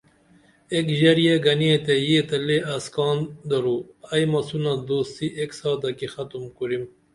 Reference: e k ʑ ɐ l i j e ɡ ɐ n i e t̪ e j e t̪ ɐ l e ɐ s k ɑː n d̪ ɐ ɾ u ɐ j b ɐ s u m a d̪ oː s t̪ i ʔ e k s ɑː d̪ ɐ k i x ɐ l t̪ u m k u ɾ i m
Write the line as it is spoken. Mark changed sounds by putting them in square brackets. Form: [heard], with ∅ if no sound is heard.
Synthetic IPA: e k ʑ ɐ [ɾ] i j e ɡ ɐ n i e t̪ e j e t̪ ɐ l e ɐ s k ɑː n d̪ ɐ ɾ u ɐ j [m] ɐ s u [n] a d̪ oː s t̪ i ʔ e k s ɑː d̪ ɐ k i x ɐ [∅] t̪ u m k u ɾ i m

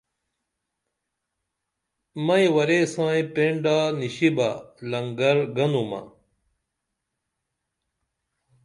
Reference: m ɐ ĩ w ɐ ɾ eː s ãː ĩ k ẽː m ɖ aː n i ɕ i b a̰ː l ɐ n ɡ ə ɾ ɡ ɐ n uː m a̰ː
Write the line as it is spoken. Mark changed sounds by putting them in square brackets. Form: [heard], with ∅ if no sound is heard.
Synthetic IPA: m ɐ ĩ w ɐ ɾ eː s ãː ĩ [p] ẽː [ɳ] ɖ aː n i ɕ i b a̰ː l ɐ [ŋ] ɡ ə ɾ ɡ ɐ n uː m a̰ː

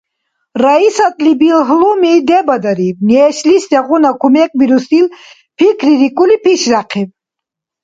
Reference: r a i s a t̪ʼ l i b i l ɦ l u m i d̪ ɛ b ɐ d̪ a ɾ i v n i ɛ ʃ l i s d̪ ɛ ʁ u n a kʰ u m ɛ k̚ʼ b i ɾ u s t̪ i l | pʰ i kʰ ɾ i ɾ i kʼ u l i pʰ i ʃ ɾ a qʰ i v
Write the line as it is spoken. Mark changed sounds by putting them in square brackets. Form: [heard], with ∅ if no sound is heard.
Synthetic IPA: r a i s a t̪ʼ l i b i l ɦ l u m i d̪ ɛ b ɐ d̪ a ɾ i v n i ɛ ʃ l i s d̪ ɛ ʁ u n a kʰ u m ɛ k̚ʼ b i ɾ u s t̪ i l | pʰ i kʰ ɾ i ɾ i kʼ u l i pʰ i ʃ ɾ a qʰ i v

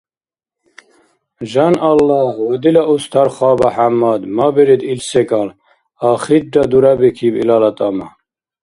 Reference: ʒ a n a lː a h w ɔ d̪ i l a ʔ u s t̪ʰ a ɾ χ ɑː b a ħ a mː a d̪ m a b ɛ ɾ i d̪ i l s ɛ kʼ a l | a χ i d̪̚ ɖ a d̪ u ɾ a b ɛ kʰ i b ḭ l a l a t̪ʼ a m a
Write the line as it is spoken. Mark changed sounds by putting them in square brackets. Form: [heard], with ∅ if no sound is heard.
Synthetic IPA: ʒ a n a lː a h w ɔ d̪ i l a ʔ u s t̪ʰ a ɾ χ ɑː b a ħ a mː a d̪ m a b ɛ ɾ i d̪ i l s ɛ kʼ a l | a χ i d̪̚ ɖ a d̪ u ɾ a b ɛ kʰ i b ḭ l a l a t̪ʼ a m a

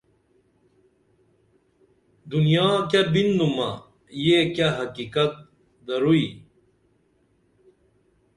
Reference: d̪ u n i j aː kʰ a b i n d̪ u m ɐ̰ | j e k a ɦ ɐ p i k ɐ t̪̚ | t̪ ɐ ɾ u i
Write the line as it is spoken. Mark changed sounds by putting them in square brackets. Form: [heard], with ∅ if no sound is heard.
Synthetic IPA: d̪ u n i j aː [k] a b i n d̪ u m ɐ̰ | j e k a ɦ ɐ [k] i k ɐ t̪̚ | [d̪] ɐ ɾ u i

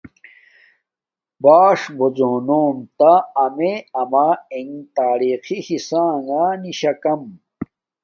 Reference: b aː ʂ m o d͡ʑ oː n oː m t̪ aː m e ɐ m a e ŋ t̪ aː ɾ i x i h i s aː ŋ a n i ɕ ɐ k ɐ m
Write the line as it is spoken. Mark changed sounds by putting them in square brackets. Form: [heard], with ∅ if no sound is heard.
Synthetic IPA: b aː ʂ [b] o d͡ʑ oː n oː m t̪ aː m e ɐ m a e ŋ t̪ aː ɾ i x i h i s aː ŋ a n i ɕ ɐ k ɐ m

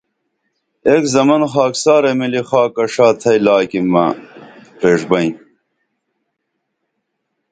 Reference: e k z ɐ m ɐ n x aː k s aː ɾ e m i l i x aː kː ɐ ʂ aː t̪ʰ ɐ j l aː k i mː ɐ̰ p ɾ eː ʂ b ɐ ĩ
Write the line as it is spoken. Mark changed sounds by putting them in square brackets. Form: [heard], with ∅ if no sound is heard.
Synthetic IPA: e k z ɐ m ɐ n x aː k s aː ɾ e m i l i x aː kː ɐ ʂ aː t̪ʰ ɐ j l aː k i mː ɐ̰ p ɾ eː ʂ b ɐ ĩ

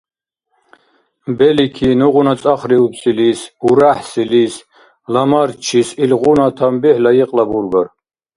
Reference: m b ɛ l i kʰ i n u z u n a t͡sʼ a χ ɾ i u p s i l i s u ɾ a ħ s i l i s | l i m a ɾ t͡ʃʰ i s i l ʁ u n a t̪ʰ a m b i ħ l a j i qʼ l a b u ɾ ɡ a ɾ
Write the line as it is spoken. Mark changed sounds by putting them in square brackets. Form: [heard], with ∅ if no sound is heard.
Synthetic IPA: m b ɛ l i kʰ i n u [ʁ] u n a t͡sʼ a χ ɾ i u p s i l i s u ɾ a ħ s i l i s | l [a] m a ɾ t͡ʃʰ i s i l ʁ u n a t̪ʰ a m b i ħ l a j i qʼ l a b u ɾ ɡ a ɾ

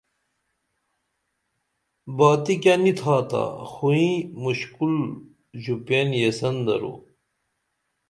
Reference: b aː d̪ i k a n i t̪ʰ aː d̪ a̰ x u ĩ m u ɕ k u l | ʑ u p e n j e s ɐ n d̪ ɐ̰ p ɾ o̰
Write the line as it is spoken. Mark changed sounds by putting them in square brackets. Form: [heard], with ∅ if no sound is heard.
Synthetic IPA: b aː [t̪] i k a n i t̪ʰ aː [t̪] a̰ x u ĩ m u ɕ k u l | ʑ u p e n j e s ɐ n d̪ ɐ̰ [∅] ɾ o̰

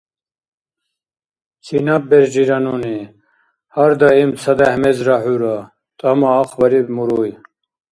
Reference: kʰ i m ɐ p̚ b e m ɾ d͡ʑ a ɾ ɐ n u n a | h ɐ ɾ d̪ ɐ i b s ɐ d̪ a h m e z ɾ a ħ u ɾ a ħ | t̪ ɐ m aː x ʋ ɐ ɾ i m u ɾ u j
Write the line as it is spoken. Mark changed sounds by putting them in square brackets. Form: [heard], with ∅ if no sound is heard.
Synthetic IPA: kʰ i [n] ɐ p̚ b e [∅] ɾ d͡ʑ [i] ɾ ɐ n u n [i] | h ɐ ɾ d̪ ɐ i [m] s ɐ d̪ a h m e z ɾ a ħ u ɾ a [∅] | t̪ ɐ m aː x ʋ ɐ ɾ i m u ɾ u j

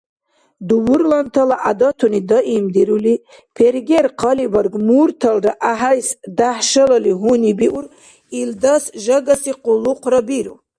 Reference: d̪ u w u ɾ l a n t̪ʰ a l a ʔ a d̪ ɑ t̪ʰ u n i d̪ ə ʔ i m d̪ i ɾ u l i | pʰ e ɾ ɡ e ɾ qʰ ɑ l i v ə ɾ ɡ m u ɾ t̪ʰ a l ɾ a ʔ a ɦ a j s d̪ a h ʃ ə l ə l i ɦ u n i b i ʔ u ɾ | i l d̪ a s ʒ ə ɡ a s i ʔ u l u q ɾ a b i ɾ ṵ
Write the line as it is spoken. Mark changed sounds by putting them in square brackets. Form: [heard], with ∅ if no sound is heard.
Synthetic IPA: d̪ u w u ɾ l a n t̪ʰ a l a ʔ a d̪ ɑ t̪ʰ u n i d̪ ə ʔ i m d̪ i ɾ u l i | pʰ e ɾ ɡ e ɾ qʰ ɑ l i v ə ɾ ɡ m u ɾ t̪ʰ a l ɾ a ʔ a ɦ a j s d̪ a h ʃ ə l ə l i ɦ u n i b i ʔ u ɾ | i l d̪ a s ʒ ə ɡ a s i [q] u l u q ɾ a b i ɾ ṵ

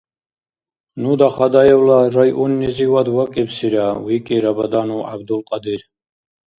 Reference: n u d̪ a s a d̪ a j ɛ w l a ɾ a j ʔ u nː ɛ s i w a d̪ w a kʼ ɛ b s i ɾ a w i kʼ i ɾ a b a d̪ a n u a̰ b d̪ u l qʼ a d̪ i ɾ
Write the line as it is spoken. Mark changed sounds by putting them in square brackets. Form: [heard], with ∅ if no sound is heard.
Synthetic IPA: n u d̪ a [χ] a d̪ a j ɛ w l a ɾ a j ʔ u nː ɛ [z] i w a d̪ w a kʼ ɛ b s i ɾ a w i kʼ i ɾ a b a d̪ a n u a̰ b d̪ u l qʼ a d̪ i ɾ

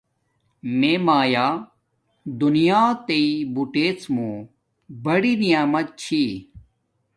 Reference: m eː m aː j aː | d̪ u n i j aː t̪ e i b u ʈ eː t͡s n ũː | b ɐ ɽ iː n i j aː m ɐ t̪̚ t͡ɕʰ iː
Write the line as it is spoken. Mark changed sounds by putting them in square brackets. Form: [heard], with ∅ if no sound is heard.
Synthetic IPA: m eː m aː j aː | d̪ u n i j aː t̪ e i b u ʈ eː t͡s [m] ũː | b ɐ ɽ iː n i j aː m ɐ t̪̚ t͡ɕʰ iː

